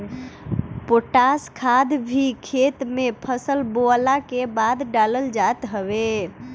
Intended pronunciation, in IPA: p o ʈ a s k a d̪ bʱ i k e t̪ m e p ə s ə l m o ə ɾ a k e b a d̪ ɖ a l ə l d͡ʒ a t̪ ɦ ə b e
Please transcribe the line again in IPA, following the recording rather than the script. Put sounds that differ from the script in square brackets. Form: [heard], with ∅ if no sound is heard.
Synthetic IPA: p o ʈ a s [kʰ] a d̪ bʱ i [kʰ] e t̪ m e [pʰ] ə s ə l [b] o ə [l] a k e b a d̪ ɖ a l ə l d͡ʒ a t̪ ɦ ə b e